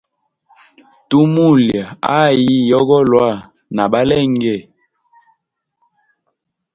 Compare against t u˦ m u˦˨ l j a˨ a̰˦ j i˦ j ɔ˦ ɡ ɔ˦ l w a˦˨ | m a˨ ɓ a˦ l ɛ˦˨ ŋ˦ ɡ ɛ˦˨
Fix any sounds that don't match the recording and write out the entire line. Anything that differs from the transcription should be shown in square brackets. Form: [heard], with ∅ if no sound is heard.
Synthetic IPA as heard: t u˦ m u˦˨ l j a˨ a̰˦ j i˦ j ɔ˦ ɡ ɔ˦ l w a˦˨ | [n] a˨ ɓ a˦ l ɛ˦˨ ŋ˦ ɡ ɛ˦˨